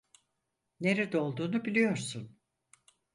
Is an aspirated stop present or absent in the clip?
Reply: absent